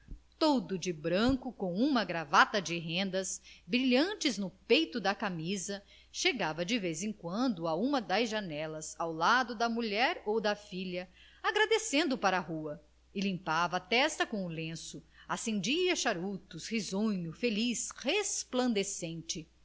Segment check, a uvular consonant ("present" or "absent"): absent